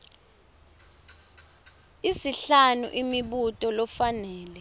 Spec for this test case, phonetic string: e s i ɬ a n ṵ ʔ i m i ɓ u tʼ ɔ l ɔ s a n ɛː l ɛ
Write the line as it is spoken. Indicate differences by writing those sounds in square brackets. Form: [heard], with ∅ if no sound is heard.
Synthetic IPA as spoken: [i] s i ɬ a n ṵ ʔ i m i ɓ u tʼ ɔ l ɔ [f] a n ɛː l ɛ